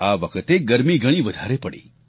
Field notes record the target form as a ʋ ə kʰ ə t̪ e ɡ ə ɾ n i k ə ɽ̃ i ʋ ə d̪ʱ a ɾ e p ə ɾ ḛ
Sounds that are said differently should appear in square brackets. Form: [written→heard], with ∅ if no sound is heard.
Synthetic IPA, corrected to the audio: a ʋ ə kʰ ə t̪ e ɡ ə ɾ [n→m] i [k→ɡ] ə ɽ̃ i ʋ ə d̪ʱ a ɾ e p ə [ɾ→ɽ] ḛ